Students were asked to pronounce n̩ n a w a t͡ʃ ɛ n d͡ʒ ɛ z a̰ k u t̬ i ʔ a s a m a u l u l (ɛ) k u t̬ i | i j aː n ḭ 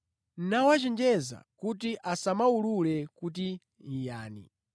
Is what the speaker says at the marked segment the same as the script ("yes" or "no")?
yes